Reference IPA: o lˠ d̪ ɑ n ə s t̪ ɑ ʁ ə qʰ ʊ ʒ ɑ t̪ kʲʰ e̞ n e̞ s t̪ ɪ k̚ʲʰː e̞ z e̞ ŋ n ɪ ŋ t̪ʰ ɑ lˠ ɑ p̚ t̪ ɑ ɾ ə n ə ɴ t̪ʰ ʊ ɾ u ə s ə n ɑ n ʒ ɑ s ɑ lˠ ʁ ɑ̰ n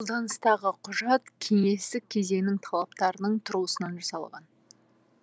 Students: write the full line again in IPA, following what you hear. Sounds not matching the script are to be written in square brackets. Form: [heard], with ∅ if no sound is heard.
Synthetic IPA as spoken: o lˠ d̪ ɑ n ə s t̪ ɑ ʁ ə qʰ ʊ ʒ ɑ t̪ kʲʰ e̞ [ŋ] e̞ s t̪ ɪ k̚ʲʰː e̞ z e̞ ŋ n ɪ ŋ t̪ʰ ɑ lˠ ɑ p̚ t̪ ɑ ɾ ə n ə ɴ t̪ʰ ʊ ɾ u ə s ə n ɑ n ʒ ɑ s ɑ lˠ ʁ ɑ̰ n